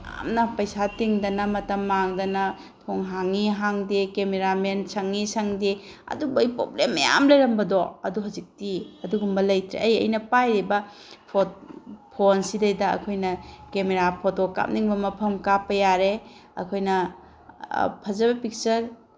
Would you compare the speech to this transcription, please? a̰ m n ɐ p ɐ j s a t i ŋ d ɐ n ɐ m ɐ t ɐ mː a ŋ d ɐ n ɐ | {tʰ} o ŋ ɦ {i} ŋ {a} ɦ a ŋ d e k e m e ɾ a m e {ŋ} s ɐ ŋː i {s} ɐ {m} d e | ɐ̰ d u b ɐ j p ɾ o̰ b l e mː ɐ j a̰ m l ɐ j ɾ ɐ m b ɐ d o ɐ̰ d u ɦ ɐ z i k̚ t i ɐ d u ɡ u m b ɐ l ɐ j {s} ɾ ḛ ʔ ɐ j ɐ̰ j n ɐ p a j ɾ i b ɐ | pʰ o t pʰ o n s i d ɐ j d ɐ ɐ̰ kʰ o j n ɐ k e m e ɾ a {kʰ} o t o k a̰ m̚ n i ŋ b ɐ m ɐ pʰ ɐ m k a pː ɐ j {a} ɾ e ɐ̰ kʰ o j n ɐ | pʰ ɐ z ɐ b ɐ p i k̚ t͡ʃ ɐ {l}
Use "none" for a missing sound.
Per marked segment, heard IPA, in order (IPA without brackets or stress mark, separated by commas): tʰ, a, i, n, s, ŋ, t, pʰ, a, ɾ